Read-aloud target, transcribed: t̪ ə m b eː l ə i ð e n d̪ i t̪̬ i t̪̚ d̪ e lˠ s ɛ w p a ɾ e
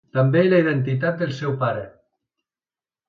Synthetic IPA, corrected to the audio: t̪ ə m b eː l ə i ð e n t̪ i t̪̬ a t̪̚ d̪ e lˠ s ɛ w p a ɾ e